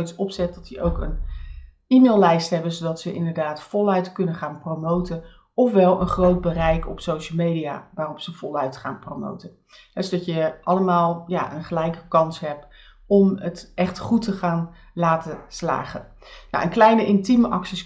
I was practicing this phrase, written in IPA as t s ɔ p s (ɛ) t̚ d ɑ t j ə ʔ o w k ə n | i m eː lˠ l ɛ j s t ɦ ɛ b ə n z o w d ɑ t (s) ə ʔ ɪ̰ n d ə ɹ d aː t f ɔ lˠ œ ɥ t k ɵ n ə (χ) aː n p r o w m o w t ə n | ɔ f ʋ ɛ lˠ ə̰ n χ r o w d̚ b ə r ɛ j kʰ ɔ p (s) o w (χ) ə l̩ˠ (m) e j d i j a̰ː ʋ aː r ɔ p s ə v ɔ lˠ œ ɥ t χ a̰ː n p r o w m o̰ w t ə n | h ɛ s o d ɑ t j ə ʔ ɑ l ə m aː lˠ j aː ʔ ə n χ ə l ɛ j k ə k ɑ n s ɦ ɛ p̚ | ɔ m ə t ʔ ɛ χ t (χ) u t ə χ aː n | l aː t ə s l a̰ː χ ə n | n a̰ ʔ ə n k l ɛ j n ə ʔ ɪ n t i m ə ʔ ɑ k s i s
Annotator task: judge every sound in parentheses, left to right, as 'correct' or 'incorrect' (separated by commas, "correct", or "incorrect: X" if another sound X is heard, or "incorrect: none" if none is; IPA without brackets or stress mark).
correct, correct, correct, correct, incorrect: ʃ, correct, correct